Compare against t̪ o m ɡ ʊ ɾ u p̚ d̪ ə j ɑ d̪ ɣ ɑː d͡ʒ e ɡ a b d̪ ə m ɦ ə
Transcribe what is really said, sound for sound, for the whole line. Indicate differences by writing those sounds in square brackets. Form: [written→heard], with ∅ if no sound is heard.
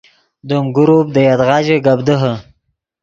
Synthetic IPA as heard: [t̪→d̪] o m ɡ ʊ ɾ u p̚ d̪ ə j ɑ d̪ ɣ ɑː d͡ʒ e ɡ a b d̪ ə [m→∅] ɦ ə